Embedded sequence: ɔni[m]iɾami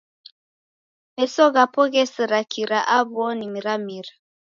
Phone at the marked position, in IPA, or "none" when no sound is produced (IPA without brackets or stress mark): m